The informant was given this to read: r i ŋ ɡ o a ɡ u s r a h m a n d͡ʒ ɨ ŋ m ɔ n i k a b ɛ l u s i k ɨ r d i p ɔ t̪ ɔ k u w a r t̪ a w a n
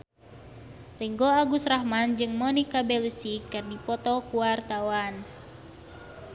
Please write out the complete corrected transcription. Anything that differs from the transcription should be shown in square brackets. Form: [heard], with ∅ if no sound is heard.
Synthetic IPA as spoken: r i ŋ ɡ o a ɡ u s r a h m a n d͡ʒ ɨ ŋ m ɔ n i k a b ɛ l u s i k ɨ r d i p ɔ t̪ ɔ k u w a r t̪ a w a n